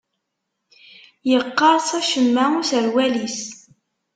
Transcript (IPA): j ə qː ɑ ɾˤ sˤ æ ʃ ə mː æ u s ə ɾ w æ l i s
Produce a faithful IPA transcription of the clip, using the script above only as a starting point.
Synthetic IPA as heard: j ə qː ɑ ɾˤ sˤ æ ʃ ə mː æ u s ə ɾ w æ l i s